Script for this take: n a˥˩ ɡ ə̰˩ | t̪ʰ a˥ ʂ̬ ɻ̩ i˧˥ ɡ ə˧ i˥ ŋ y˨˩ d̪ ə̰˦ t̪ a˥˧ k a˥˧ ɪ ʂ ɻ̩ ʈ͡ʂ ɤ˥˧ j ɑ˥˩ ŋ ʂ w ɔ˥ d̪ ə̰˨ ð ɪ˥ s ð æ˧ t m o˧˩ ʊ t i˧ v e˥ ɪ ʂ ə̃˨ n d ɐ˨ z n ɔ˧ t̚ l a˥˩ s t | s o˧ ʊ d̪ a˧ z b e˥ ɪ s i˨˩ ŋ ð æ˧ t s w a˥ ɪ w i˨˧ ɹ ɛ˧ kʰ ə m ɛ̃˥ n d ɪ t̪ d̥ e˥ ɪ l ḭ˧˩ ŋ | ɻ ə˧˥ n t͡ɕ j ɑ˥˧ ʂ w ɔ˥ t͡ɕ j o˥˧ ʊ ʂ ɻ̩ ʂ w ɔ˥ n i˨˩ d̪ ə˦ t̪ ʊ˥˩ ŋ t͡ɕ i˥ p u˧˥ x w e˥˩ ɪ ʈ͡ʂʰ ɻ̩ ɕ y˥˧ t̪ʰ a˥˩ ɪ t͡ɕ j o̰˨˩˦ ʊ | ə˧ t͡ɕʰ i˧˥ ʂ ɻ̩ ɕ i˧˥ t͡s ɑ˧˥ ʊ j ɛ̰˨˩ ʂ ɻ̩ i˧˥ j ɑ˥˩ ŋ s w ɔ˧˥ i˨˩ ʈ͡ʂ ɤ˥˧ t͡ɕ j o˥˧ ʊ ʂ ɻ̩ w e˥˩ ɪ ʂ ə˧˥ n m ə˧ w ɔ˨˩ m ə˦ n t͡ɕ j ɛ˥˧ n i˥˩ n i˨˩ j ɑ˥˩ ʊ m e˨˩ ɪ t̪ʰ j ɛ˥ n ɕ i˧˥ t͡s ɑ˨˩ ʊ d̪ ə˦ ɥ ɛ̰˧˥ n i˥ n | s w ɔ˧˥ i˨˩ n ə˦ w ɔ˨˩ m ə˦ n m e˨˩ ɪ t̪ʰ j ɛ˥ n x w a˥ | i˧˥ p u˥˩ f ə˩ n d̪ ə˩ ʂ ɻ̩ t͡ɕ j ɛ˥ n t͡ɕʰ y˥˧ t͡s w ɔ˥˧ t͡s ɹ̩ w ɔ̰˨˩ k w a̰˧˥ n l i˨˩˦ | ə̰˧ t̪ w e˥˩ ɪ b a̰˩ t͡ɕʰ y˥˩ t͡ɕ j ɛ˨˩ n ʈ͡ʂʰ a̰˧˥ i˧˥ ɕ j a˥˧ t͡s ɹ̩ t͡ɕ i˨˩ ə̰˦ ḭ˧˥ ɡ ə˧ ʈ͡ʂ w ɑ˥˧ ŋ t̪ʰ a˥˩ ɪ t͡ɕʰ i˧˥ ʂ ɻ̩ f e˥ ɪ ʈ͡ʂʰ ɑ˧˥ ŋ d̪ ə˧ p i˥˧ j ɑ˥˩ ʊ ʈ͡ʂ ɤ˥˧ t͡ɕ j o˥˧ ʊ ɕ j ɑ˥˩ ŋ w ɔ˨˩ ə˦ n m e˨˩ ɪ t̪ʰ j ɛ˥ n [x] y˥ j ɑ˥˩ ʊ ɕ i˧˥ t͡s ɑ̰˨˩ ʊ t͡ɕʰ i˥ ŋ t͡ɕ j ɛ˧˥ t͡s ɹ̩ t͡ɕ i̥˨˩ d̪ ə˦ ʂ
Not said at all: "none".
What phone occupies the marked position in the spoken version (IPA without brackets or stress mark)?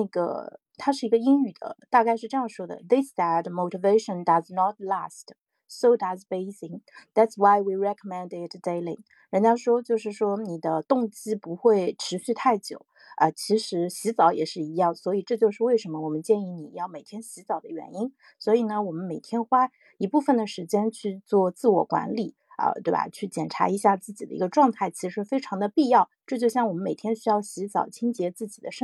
ɕ